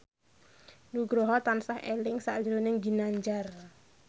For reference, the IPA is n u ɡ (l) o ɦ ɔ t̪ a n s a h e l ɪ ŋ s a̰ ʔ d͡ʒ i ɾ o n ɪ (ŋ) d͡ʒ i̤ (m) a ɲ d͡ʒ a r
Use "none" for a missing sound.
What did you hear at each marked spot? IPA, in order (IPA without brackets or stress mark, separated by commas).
ɾ, ŋ, n